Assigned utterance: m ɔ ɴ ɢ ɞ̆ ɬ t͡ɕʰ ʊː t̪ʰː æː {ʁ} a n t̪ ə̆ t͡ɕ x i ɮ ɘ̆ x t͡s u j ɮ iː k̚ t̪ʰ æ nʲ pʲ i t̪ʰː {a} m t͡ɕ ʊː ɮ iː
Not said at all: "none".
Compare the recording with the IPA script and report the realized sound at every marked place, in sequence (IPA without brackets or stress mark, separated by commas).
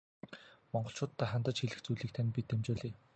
χ, e